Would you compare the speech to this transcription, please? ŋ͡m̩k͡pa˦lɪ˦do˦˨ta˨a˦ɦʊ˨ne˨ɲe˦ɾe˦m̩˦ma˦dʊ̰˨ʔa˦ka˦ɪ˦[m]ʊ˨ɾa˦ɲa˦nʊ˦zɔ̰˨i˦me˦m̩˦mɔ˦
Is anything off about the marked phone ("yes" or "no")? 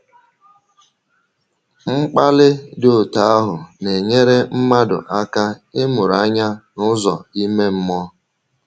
no